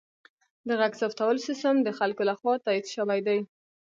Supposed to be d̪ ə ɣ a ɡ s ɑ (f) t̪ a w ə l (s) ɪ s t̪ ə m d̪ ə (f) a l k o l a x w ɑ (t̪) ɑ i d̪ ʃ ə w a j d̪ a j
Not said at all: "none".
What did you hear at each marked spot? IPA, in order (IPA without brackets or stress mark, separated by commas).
f, s, x, t̪